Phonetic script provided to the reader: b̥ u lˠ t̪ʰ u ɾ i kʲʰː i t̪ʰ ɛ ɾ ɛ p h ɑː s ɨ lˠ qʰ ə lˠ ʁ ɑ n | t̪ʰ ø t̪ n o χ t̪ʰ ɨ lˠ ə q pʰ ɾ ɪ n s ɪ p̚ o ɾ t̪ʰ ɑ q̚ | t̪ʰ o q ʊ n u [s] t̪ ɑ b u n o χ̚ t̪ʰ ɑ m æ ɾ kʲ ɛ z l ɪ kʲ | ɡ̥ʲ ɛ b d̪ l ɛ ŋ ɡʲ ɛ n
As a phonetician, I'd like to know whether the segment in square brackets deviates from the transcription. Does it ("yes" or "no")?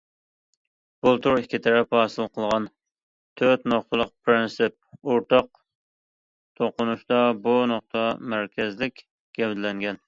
yes